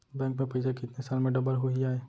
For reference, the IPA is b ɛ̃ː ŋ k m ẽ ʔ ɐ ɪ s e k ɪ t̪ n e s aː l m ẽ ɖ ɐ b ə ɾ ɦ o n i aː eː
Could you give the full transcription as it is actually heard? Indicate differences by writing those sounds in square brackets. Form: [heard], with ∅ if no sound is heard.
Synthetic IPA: b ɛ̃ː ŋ k m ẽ [p] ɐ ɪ s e k ɪ t̪ n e s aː l m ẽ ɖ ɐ b ə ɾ ɦ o [∅] i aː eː